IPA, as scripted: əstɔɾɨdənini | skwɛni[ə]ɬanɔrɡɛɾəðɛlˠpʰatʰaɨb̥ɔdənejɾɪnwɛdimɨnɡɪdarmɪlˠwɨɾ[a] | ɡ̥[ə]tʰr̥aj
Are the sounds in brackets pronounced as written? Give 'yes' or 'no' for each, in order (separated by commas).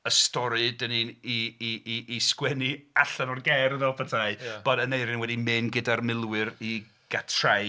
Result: no, no, no